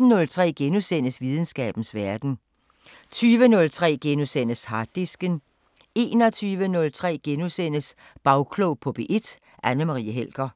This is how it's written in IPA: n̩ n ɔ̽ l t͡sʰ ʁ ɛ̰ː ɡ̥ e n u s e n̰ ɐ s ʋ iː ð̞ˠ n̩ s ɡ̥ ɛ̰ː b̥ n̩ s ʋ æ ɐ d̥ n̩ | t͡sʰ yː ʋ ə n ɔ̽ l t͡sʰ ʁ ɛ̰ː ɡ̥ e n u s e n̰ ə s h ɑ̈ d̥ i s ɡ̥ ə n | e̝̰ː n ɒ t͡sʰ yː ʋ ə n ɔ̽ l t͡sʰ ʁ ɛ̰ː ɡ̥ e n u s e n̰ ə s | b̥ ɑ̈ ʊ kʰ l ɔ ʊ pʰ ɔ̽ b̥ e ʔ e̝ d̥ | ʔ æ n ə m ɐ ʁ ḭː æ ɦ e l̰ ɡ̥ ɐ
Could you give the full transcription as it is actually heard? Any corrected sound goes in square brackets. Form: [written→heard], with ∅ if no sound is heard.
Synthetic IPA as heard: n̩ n ɔ̽ l t͡sʰ ʁ ɛ̰ː ɡ̥ e n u s e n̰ [ɐ→ə] s ʋ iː ð̞ˠ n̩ s ɡ̥ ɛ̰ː b̥ n̩ s ʋ æ ɐ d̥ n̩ | t͡sʰ yː ʋ ə n ɔ̽ l t͡sʰ ʁ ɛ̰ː ɡ̥ e n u s e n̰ ə s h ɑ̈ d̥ i s ɡ̥ ə n | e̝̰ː n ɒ t͡sʰ yː ʋ ə n ɔ̽ l t͡sʰ ʁ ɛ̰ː ɡ̥ e n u s e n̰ ə s | b̥ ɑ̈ ʊ kʰ l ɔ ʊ pʰ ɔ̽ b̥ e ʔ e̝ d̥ | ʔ æ n ə m [ɐ→ɑ] ʁ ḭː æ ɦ e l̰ ɡ̥ ɐ